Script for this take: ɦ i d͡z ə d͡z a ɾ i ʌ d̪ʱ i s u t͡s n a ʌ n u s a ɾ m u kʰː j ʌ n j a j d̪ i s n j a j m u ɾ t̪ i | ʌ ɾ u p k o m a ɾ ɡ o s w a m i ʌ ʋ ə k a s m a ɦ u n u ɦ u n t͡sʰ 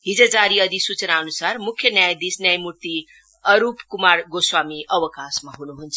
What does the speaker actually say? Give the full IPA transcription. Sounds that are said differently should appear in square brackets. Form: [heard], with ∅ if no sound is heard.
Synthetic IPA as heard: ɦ i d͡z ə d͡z a ɾ i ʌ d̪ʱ i s u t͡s n a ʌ n u s a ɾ m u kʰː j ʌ n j a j d̪ i s n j a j m u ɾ t̪ i | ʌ ɾ u p k [u] m a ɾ ɡ o s w a m i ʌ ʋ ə k a s m a ɦ u n u ɦ u n t͡sʰ